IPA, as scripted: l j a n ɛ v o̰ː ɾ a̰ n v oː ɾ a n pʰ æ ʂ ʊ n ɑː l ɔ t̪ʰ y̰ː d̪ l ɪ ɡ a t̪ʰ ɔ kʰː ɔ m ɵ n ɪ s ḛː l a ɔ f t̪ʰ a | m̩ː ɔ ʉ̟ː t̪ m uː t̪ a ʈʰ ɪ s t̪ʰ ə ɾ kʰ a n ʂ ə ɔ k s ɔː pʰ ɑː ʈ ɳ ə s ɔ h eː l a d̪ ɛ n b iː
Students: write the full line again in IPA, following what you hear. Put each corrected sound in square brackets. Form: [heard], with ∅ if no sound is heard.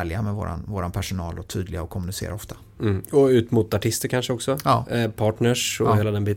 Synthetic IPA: l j a [m] ɛ v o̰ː ɾ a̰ n v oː ɾ a n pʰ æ ʂ ʊ n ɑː l ɔ t̪ʰ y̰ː d̪ l ɪ ɡ a [∅] ɔ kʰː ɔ m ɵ n ɪ s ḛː [ɾ] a ɔ f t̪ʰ a | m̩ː ɔ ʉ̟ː t̪ m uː t̪ a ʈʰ ɪ s [t̪] ə ɾ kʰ a n ʂ ə ɔ k s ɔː pʰ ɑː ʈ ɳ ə [ʂ] ɔ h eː l a d̪ ɛ n b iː